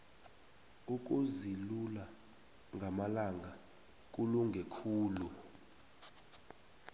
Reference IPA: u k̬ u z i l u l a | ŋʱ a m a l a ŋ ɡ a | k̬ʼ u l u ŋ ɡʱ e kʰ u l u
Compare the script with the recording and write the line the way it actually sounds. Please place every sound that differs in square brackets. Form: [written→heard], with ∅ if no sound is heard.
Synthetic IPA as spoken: u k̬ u z i l u l a | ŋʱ a m a l a ŋ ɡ a | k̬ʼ u l u ŋ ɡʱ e kʰ [u→uː] l u